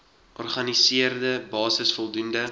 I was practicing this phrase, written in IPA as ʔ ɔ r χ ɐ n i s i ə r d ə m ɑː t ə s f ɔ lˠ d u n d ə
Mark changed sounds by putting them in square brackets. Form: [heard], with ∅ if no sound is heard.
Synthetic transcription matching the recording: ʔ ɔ r χ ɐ n i s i ə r d ə [b] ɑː [s] ə s f ɔ lˠ d u n d ə